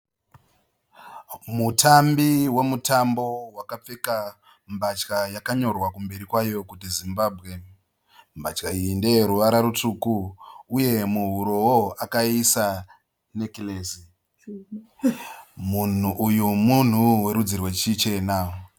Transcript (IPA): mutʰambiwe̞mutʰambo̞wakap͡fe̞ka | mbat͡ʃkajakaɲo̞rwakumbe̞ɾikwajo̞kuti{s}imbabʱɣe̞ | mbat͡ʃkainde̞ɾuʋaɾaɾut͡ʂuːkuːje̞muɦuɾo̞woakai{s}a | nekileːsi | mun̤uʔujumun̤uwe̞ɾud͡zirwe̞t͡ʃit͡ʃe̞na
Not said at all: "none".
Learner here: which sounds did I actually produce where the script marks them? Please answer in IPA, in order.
z, s

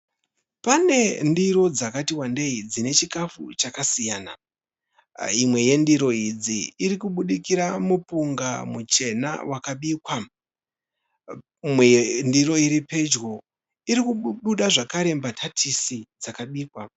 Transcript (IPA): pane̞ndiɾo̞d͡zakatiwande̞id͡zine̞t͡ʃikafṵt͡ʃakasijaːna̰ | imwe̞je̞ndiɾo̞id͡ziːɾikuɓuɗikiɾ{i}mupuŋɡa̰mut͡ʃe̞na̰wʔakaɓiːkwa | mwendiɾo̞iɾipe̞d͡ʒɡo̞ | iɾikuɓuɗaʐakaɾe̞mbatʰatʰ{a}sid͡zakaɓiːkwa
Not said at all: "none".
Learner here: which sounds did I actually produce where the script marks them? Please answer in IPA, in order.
a, i

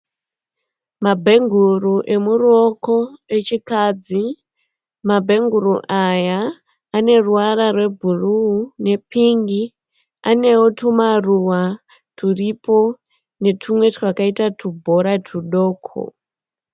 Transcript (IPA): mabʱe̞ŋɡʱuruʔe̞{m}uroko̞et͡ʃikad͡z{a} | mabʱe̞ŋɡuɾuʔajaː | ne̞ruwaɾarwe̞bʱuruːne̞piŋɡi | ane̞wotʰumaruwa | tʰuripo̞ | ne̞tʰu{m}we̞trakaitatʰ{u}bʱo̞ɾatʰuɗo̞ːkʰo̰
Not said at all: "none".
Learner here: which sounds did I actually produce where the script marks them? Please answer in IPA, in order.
m, i, m, u

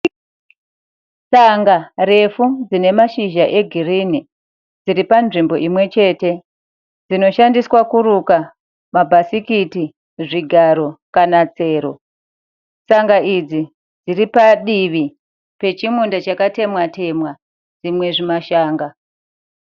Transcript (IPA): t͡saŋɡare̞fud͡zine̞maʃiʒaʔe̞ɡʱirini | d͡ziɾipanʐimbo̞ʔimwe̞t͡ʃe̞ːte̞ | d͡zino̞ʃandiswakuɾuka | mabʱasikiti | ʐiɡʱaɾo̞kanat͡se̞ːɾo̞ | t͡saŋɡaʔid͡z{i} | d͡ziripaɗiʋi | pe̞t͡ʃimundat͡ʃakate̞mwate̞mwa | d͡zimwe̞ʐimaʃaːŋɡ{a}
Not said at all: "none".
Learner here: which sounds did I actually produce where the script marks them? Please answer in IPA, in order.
i, a

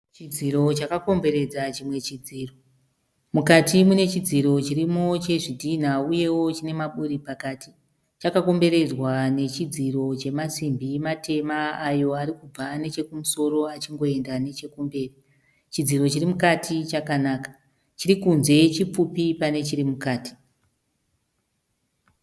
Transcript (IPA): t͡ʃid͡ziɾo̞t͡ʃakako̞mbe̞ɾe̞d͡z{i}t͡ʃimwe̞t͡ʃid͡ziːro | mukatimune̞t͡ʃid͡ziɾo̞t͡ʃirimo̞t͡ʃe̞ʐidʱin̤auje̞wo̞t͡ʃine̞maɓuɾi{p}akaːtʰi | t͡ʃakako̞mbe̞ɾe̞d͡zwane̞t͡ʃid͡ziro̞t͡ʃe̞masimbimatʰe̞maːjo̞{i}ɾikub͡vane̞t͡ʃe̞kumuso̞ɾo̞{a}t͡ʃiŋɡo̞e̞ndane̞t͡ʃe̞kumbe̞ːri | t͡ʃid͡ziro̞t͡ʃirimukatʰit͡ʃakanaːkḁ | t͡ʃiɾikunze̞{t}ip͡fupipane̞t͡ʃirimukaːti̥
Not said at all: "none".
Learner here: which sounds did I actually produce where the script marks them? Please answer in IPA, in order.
a, p, a, a, t͡ʃ

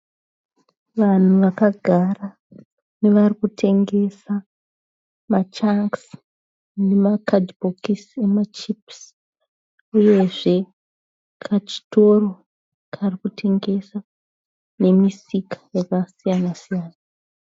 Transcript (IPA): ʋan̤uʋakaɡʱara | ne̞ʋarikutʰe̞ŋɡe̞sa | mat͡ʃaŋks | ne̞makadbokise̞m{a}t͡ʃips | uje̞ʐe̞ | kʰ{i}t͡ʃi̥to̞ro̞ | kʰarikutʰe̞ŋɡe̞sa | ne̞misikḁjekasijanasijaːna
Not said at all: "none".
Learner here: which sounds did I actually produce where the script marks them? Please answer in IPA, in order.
a, a

